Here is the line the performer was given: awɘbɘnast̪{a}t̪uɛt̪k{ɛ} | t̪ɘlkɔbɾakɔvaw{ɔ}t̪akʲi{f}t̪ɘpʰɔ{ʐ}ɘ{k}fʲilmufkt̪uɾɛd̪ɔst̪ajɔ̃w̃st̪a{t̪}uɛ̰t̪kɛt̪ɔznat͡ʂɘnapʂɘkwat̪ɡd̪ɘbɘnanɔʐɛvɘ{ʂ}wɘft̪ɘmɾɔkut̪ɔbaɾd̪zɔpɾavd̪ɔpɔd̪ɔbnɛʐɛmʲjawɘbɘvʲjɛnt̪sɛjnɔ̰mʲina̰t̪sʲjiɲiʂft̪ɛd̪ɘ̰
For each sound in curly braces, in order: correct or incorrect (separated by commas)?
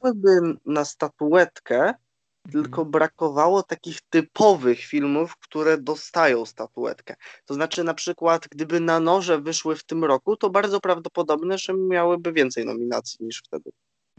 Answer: correct, correct, correct, incorrect, incorrect, incorrect, correct, correct